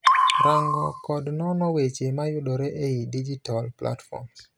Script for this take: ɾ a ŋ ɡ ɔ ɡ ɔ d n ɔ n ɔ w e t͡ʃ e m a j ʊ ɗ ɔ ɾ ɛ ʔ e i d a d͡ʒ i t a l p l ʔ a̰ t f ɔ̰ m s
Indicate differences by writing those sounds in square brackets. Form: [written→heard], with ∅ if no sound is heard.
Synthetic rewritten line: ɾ a ŋ ɡ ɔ [ɡ→k] ɔ d n ɔ n ɔ w e t͡ʃ e m a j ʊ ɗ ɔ ɾ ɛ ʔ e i d [a→i] d͡ʒ i t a l p l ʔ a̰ t f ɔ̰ m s

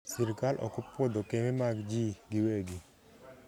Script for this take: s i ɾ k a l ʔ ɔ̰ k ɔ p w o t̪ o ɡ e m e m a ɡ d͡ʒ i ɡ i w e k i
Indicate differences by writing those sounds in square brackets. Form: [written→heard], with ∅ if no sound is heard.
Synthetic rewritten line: s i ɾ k a l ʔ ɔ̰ k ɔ p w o [t̪→d̪] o [ɡ→k] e m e m a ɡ d͡ʒ i ɡ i w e [k→ɡ] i

